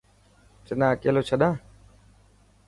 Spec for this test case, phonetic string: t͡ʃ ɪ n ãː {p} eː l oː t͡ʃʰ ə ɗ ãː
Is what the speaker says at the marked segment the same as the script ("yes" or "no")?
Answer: no